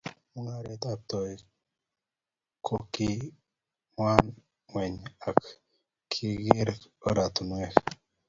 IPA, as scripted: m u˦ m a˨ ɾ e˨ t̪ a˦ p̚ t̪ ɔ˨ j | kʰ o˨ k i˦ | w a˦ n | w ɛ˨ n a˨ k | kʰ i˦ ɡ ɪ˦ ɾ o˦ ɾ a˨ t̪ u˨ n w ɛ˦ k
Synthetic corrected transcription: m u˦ ŋ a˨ ɾ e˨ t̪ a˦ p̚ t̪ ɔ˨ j | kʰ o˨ k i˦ | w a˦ n | w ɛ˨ ɲ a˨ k | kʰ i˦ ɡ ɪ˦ ɾ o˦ ɾ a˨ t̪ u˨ n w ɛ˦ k